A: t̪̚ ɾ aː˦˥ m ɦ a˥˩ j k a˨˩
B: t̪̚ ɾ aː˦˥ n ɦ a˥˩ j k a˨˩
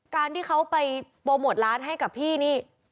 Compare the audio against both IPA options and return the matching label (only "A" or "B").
B